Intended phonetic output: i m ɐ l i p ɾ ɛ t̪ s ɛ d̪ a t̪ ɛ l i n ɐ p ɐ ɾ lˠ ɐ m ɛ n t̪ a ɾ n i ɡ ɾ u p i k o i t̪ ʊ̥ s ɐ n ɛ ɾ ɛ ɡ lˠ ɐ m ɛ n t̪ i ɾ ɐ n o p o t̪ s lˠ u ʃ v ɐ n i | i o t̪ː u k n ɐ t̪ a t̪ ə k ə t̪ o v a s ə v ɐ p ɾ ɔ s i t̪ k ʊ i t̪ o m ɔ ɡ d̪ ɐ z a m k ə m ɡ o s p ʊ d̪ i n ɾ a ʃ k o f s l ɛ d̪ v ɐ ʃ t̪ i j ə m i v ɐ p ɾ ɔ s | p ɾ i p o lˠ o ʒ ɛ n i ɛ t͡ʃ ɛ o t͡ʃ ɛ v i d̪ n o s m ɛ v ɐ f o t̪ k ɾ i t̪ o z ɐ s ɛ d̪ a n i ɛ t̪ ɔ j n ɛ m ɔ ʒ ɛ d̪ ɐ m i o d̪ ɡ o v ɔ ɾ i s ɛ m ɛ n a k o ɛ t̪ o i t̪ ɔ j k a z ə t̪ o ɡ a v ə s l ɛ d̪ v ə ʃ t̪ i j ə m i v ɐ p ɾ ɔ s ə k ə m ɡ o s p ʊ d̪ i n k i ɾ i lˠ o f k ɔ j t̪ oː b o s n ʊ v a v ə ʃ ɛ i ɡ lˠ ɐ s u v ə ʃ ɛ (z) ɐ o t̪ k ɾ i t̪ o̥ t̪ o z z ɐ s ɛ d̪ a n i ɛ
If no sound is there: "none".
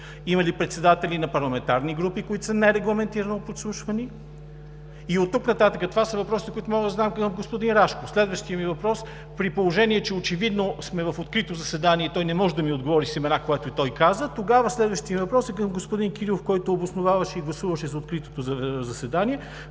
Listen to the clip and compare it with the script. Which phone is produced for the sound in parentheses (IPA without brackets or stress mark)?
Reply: z